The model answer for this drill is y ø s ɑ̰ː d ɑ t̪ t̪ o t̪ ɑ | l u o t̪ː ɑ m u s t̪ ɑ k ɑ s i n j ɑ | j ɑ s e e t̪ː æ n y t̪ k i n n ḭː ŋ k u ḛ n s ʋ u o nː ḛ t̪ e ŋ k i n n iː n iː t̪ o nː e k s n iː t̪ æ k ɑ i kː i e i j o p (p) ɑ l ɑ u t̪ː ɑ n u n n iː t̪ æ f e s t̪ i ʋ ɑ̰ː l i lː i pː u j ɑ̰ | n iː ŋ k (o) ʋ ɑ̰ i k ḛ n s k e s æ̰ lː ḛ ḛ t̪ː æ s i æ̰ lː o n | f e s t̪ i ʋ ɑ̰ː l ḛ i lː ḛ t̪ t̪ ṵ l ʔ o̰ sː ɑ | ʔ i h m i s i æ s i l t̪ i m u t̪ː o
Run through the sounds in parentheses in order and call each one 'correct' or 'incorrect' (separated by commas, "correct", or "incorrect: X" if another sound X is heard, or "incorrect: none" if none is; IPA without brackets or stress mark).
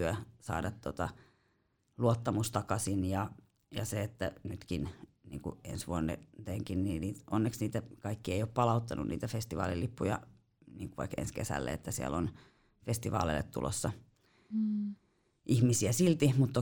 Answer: correct, incorrect: u